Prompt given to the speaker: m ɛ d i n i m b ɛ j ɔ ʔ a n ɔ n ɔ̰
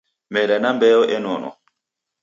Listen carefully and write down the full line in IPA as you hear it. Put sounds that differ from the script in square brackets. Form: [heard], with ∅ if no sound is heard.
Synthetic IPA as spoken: m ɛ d [a] n [a] m b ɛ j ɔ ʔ [ɛ] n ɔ n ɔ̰